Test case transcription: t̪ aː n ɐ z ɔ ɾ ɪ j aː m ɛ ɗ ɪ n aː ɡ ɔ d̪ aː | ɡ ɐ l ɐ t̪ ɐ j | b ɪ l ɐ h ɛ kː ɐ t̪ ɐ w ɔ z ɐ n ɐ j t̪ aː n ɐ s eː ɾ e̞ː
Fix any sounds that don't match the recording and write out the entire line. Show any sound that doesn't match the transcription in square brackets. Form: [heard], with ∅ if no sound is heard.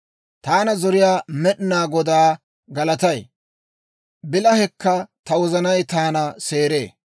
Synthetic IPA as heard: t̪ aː n ɐ z ɔ ɾ ɪ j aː m ɛ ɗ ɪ n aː ɡ ɔ d̪ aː | ɡ ɐ l ɐ t̪ ɐ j | b ɪ l ɐ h ɛ kː ɐ t̪ ɐ w ɔ z ɐ n ɐ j t̪ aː n ɐ s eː ɾ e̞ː